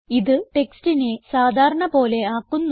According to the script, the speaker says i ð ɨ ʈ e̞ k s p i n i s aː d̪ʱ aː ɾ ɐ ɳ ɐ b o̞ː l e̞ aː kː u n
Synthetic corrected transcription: i ð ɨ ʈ e̞ k s t i n e s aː d̪ʱ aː ɾ ɐ ɳ ɐ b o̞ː l e̞ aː kː u nː